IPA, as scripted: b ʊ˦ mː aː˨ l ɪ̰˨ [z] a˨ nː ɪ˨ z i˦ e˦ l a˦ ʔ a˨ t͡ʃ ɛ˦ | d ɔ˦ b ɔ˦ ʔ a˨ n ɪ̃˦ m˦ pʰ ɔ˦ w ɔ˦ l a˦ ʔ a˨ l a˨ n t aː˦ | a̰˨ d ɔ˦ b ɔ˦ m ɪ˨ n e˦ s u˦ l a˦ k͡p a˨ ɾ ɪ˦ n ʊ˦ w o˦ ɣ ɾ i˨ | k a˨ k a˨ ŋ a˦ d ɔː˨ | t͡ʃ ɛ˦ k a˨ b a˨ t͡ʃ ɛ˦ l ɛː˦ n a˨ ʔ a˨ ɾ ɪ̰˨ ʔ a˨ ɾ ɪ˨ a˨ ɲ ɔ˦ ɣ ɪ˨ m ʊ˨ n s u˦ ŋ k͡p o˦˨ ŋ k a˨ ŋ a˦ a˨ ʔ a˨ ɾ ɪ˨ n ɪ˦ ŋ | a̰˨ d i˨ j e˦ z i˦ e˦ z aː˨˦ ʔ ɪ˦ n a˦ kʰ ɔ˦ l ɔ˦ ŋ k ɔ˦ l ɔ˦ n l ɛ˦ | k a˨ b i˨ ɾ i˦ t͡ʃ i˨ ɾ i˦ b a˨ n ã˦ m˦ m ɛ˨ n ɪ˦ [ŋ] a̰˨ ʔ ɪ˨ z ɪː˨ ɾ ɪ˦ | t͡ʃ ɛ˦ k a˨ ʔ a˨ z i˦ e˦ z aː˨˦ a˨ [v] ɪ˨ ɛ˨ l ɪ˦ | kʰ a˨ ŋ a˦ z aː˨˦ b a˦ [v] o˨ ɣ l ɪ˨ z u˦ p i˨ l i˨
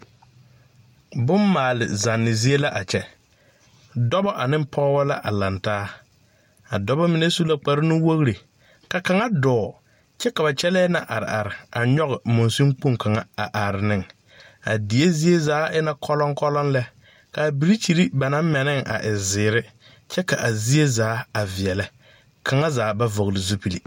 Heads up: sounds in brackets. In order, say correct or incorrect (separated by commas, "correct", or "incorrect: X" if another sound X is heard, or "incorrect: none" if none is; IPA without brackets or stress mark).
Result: correct, correct, correct, correct